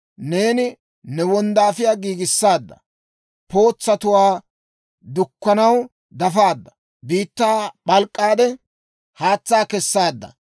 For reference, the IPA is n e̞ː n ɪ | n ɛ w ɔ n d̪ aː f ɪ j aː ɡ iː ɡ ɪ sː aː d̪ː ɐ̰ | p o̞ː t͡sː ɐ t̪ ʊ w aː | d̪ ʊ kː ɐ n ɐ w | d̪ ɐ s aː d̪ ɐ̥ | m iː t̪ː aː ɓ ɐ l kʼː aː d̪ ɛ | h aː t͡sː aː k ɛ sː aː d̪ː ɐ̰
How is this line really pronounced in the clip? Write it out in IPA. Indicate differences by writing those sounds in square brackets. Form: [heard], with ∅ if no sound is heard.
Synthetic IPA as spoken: n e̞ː n ɪ | n ɛ w ɔ n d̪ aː f ɪ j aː ɡ iː ɡ ɪ sː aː d̪ː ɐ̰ | p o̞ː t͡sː ɐ t̪ ʊ w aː | d̪ ʊ kː ɐ n ɐ w | d̪ ɐ [f] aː [d̪ː] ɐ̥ | [b] iː t̪ː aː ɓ ɐ l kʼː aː d̪ ɛ | h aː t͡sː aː k ɛ sː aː d̪ː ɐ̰